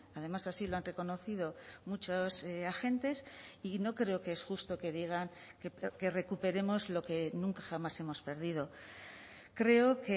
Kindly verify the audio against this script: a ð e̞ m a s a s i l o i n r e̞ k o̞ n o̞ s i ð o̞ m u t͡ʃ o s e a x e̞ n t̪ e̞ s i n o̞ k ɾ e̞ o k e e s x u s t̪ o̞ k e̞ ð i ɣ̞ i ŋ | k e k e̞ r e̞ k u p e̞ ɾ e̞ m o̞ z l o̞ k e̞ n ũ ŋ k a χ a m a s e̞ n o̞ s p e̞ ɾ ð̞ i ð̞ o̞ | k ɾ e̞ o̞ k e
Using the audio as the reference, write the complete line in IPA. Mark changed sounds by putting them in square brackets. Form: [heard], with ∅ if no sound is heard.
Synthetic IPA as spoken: a ð e̞ m a s a s i l o [a] n r e̞ k o̞ n o̞ [θ] i ð o̞ m u t͡ʃ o s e a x e̞ n t̪ e̞ s i n o̞ k ɾ e̞ o k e e s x u s t̪ o̞ k e̞ ð i ɣ̞ [a] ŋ | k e k e̞ r e̞ k u p e̞ ɾ e̞ m o̞ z l o̞ k e̞ n ũ ŋ k a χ a m a s e̞ [m] o̞ s p e̞ ɾ ð̞ i ð̞ o̞ | k ɾ e̞ o̞ k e